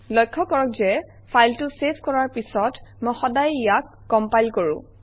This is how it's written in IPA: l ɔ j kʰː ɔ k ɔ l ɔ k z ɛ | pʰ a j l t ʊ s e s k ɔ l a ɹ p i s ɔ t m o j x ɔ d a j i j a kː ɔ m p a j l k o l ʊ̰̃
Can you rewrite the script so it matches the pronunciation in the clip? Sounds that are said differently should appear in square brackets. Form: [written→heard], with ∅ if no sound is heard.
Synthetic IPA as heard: l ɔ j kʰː ɔ k ɔ [l→ɹ] ɔ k z ɛ | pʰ a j l t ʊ s e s k ɔ [l→ɹ] a ɹ p i s ɔ t m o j x ɔ d a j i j a kː ɔ m p a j l k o [l→ɹ] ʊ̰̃